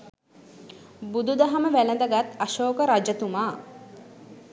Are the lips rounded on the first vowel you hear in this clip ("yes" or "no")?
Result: yes